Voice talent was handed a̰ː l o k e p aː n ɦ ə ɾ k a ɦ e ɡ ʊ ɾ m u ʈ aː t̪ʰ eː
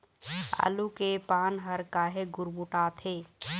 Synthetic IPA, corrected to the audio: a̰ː l u k e p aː n ɦ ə ɾ k a ɦ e ɡ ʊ ɾ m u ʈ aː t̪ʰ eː